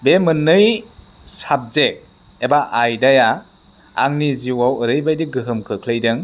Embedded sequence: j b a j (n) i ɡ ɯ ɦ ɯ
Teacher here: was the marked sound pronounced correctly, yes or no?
no